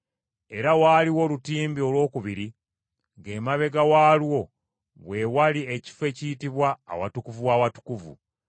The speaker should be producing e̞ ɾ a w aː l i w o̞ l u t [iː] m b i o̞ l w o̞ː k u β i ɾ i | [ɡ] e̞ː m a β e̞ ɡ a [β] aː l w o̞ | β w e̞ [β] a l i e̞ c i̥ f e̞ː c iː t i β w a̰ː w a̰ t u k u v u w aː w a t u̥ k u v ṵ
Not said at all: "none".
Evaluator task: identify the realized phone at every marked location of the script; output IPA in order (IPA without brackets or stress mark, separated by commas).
iː, ɡ, w, w